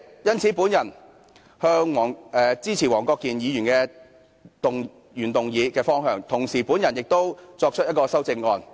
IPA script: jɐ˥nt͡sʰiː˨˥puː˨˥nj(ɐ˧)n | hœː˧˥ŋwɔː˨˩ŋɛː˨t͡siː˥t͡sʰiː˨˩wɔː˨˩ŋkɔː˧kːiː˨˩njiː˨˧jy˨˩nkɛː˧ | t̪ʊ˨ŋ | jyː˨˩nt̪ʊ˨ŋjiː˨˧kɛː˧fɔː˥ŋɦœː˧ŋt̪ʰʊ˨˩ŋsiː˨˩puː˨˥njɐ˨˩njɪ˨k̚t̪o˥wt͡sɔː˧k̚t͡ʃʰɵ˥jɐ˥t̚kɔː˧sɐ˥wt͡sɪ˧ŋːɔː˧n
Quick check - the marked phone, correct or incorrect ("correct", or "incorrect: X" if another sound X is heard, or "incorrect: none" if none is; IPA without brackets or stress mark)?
incorrect: ɐ˨˩